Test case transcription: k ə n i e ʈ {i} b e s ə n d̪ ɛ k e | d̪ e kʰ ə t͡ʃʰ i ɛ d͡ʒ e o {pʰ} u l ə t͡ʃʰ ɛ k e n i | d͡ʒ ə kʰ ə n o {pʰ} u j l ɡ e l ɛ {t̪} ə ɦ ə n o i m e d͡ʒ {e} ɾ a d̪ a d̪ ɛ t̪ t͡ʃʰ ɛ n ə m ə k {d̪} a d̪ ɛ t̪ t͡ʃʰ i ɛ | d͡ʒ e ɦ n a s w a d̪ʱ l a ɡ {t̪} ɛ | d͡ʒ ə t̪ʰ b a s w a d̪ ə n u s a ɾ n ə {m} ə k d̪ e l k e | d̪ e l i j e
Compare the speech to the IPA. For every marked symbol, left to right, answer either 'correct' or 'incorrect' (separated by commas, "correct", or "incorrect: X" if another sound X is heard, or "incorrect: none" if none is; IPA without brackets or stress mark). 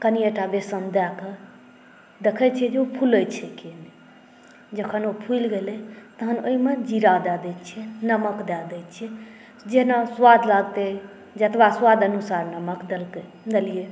incorrect: a, correct, correct, correct, incorrect: i, correct, correct, correct